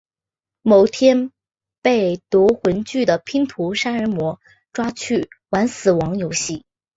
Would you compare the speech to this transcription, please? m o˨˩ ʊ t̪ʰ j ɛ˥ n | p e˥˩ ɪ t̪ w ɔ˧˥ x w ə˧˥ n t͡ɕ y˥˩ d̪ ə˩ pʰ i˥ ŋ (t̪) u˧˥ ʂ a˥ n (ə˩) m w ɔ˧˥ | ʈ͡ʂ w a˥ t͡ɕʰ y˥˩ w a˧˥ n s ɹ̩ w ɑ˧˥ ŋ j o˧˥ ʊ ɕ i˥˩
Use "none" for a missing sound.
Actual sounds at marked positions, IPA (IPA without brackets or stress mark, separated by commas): t̪ʰ, ə˧˥